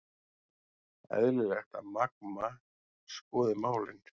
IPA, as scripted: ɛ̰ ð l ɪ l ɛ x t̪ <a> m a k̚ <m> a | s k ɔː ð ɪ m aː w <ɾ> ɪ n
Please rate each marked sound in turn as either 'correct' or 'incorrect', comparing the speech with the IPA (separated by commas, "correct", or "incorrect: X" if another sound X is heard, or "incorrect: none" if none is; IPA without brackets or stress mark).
correct, correct, incorrect: l